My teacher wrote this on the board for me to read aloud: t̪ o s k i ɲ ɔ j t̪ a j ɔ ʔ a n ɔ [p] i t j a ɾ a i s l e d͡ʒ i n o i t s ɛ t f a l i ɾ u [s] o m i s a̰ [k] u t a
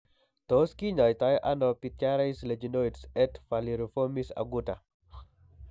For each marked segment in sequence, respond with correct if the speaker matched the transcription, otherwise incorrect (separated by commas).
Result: correct, incorrect, incorrect